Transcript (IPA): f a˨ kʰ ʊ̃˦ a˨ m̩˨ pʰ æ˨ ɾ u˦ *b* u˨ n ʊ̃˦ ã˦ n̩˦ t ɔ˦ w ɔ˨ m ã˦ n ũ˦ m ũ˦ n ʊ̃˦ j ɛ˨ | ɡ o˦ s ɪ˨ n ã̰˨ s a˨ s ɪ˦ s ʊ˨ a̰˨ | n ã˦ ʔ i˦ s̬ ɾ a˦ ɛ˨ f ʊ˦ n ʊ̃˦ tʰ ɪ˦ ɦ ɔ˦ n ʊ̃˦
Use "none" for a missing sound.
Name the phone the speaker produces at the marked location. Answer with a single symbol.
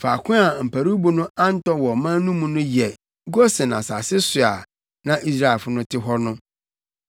b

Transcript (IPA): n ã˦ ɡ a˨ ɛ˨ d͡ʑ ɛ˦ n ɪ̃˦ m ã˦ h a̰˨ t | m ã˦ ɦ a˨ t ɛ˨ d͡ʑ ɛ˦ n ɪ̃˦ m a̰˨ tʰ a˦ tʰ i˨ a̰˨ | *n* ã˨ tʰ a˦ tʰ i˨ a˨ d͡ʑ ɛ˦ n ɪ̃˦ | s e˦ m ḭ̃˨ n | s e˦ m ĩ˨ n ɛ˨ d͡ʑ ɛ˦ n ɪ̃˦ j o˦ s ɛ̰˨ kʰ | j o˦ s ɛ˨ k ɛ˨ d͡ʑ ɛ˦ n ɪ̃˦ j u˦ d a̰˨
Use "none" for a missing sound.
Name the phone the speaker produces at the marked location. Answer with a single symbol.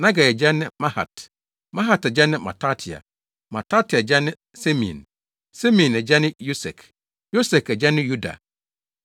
m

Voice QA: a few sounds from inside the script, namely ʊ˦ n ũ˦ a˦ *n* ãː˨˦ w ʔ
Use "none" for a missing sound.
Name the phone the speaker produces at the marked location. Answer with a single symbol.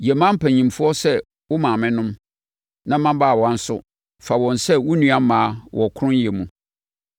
m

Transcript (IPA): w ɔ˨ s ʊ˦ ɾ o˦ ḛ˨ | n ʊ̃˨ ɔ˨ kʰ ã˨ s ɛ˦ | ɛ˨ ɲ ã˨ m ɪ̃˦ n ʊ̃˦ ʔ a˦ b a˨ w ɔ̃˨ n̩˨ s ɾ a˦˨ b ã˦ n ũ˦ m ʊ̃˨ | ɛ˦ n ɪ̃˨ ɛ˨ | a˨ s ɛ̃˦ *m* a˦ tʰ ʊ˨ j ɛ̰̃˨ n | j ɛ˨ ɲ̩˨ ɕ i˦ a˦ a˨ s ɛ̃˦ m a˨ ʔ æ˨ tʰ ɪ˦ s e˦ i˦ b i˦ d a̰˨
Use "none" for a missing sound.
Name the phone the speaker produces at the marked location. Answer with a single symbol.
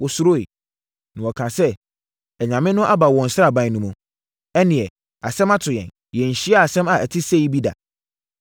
m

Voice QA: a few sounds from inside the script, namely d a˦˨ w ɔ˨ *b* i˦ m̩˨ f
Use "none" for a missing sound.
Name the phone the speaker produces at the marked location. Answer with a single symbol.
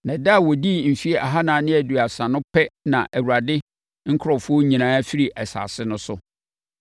d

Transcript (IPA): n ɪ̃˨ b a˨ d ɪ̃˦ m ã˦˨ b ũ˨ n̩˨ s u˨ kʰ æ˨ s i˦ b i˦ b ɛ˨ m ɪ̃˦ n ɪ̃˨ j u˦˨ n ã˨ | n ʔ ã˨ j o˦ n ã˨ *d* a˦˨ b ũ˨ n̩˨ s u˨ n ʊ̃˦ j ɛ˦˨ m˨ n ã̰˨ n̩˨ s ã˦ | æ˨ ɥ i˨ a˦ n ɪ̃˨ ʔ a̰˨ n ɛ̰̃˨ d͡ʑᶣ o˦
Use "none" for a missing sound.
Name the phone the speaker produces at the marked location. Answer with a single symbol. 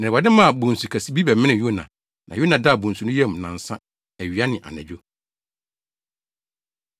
d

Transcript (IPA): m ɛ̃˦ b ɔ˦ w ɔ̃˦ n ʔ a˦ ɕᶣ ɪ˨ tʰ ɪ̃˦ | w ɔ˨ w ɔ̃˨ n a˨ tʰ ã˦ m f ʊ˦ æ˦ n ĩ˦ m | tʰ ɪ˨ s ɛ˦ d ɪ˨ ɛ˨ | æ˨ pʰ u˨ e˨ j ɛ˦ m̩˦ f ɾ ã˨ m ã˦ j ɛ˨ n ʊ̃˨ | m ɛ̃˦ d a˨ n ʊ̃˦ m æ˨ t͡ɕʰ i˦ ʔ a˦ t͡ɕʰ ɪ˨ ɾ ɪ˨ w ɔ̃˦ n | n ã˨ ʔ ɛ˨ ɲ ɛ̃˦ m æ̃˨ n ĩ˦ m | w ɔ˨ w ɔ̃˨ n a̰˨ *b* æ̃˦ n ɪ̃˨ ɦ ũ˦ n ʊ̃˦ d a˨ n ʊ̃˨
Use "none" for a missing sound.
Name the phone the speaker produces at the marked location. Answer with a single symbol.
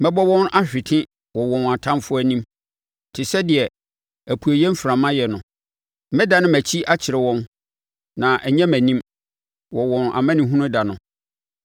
m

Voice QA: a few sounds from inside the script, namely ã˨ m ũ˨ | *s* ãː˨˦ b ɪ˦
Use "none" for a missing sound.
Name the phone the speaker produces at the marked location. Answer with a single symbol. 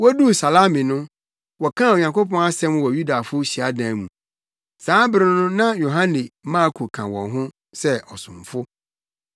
s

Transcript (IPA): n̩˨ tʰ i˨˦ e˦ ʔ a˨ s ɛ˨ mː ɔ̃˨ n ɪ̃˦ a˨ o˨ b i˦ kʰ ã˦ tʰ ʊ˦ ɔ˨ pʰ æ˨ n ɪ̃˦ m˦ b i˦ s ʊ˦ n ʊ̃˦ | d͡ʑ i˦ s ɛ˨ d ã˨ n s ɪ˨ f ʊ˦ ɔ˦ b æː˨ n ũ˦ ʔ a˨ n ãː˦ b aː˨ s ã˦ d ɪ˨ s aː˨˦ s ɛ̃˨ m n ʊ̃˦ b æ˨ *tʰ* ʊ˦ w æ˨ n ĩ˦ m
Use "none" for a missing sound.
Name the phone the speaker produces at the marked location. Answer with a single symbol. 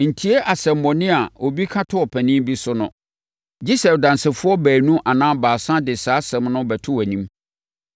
tʰ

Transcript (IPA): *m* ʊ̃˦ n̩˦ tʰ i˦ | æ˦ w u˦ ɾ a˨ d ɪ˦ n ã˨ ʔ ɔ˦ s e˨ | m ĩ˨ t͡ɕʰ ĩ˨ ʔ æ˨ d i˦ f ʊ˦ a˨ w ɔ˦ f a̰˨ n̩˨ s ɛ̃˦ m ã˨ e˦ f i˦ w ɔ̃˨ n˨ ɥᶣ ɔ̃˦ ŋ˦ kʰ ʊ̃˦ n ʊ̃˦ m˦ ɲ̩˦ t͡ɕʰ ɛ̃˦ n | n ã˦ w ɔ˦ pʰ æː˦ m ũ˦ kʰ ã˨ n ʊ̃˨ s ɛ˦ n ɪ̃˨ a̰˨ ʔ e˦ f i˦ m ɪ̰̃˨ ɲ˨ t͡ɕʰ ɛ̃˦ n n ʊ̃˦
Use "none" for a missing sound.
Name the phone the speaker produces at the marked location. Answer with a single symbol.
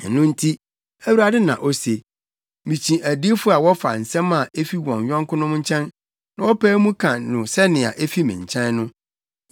n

